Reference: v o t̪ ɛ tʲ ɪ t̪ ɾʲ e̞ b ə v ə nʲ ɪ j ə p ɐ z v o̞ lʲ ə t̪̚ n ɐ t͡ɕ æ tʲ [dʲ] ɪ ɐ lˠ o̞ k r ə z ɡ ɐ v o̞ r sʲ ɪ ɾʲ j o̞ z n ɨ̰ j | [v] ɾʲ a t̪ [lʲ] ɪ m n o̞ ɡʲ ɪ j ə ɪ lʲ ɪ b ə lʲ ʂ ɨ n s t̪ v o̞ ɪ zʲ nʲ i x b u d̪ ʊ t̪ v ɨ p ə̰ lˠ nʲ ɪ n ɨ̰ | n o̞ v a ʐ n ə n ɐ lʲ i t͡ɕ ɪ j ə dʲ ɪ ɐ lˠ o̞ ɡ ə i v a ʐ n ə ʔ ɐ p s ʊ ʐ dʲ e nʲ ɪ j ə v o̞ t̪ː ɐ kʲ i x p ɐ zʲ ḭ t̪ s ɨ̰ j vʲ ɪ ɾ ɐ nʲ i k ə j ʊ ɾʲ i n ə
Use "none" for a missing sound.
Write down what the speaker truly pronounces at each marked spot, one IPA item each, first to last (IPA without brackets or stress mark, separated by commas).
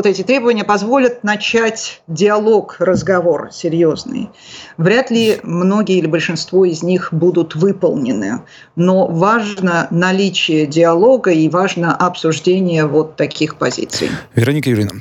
dʲ, v, lʲ